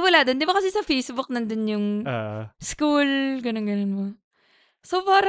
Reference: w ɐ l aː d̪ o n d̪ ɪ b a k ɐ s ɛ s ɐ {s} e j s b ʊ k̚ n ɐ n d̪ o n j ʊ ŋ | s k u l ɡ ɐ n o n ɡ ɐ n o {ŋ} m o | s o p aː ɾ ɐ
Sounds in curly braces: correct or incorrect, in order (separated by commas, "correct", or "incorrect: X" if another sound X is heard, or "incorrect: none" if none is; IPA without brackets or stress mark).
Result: incorrect: f, incorrect: n